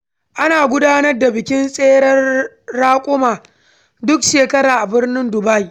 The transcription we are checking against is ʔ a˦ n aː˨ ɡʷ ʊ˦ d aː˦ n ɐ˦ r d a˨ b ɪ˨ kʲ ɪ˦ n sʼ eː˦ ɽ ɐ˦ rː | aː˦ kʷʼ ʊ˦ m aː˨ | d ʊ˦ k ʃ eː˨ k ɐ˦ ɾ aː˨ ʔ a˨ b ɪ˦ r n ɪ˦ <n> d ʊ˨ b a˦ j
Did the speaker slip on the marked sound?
no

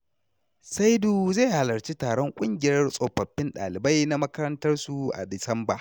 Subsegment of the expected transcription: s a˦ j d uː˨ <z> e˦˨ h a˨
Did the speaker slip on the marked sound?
no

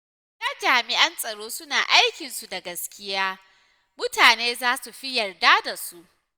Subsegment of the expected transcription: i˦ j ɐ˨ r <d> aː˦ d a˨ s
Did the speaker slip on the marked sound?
no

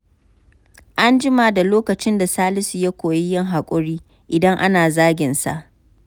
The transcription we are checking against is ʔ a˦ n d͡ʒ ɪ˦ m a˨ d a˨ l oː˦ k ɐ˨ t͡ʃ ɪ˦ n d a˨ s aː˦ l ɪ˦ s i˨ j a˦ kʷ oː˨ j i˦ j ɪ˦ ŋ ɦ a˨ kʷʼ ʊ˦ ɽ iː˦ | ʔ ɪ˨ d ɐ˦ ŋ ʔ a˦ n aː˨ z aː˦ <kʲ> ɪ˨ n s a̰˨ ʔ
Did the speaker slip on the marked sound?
yes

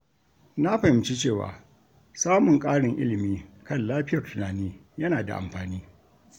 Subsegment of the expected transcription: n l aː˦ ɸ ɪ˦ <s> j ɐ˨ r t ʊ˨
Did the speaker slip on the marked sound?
yes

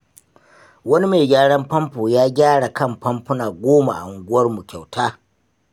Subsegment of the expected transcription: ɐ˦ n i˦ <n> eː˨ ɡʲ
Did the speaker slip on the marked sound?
yes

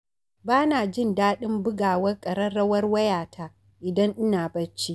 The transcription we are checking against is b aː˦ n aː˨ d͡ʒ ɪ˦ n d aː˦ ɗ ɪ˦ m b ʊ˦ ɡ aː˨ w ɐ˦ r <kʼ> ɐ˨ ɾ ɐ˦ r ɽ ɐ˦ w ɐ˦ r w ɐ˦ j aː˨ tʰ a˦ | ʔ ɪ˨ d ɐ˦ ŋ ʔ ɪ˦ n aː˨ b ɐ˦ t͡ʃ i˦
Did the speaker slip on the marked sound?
no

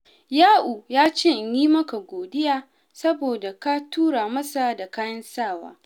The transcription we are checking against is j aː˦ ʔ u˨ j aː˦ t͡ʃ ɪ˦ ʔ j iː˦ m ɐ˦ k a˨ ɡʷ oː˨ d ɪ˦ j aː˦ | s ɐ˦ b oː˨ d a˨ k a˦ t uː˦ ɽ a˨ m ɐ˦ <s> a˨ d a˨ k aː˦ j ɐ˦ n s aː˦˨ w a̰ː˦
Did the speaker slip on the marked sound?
no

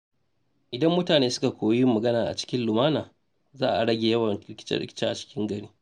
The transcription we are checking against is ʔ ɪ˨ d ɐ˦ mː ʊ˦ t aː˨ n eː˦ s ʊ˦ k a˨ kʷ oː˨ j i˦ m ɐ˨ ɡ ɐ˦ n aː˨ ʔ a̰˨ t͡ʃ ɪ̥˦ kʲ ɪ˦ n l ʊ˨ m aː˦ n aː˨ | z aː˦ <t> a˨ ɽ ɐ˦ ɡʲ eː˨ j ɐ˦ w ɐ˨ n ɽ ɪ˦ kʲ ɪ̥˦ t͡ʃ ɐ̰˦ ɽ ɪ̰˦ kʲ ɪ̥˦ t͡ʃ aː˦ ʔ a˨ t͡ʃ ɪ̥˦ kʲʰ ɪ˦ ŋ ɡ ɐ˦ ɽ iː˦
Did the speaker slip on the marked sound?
yes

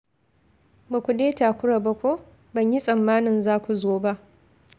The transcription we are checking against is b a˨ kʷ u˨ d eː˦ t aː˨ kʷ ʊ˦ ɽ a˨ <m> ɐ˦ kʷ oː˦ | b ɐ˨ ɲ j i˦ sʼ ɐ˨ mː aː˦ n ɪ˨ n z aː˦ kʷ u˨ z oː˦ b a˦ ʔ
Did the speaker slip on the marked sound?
yes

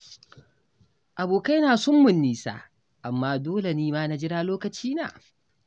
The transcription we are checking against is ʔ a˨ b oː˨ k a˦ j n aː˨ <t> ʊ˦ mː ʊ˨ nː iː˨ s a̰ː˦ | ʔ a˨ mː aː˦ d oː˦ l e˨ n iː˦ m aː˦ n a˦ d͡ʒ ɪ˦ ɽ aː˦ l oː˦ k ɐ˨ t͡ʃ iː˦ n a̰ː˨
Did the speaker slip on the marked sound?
yes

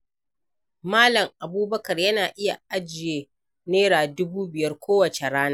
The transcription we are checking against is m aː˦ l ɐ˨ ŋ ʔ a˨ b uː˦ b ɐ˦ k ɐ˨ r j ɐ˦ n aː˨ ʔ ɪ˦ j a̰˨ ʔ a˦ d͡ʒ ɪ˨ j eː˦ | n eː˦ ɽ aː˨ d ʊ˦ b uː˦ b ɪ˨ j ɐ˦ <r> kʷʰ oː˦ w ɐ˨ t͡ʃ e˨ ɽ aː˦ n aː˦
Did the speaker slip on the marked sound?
no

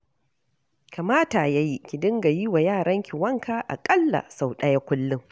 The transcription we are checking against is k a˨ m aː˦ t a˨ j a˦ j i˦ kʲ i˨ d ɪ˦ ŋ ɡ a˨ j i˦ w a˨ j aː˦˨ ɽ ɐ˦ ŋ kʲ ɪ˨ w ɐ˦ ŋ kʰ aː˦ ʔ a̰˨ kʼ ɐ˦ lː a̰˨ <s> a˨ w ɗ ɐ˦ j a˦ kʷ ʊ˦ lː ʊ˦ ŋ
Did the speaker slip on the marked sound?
no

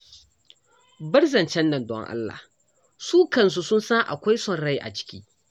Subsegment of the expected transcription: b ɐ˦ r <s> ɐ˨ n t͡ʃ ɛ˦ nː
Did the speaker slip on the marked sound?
yes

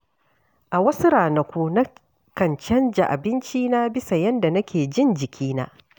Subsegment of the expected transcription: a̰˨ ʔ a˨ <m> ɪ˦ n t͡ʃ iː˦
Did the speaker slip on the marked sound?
yes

